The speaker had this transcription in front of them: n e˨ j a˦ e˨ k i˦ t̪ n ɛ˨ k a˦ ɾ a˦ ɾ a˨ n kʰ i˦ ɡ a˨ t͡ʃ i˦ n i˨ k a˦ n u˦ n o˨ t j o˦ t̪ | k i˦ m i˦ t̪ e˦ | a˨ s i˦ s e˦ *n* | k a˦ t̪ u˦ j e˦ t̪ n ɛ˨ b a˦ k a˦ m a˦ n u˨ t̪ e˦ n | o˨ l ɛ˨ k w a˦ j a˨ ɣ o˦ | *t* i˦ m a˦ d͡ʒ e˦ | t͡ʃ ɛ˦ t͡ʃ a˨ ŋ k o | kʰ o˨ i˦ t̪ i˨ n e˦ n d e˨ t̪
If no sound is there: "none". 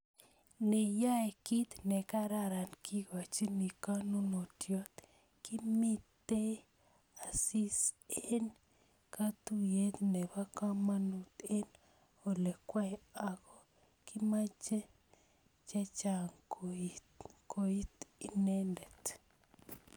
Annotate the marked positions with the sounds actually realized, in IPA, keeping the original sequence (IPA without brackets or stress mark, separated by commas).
n, k